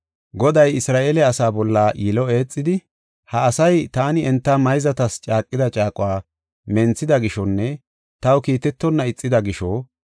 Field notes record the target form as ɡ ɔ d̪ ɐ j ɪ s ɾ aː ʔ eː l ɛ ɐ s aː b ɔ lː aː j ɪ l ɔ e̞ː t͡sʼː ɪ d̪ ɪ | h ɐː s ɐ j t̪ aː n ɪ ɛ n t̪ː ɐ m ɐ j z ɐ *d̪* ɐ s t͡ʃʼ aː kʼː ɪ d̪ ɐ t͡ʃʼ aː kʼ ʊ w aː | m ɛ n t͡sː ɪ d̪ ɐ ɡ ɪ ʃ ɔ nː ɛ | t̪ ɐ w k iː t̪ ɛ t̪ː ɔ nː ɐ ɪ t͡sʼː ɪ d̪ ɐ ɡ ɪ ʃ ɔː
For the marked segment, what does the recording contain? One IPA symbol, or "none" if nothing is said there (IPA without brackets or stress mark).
t̪